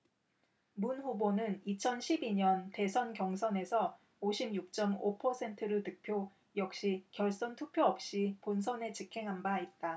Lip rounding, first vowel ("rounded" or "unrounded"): rounded